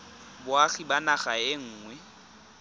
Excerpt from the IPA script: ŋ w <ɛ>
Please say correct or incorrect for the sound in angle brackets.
correct